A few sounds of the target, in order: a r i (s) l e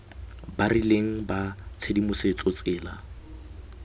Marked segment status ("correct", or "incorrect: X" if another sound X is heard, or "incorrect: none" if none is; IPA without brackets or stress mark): incorrect: none